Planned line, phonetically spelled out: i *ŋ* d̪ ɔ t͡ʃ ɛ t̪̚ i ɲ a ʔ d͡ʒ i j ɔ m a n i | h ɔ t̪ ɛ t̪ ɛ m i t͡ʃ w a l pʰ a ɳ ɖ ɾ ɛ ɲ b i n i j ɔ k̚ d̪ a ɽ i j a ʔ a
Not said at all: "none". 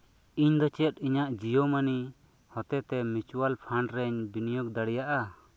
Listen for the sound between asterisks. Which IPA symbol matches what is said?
ɲ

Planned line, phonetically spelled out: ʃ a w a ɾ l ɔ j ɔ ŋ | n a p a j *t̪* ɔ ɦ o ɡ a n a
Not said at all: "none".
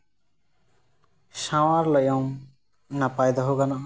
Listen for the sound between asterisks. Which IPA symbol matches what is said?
d̪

